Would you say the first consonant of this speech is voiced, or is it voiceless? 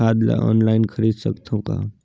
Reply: voiced